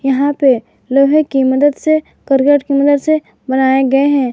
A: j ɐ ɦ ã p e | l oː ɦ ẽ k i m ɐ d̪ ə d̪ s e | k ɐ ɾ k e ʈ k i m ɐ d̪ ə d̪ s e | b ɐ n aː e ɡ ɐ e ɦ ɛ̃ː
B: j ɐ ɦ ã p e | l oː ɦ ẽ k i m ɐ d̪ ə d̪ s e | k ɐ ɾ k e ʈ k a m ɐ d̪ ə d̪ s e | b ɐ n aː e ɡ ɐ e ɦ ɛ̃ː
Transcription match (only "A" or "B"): A